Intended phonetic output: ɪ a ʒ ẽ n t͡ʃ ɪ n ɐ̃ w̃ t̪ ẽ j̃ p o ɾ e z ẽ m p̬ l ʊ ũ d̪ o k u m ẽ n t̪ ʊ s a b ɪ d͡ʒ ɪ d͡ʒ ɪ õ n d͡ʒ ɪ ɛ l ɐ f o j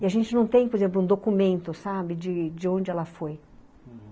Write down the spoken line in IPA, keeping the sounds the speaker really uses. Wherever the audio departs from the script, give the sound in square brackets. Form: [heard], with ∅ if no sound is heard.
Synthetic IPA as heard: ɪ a ʒ ẽ n t͡ʃ ɪ n ɐ̃ w̃ t̪ ẽ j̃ p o ɾ e z ẽ m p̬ l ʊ ũ d̪ o k u m ẽ n t̪ ʊ s a b ɪ d͡ʒ ɪ d͡ʒ ɪ õ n d͡ʒ ɪ ɛ l ɐ f o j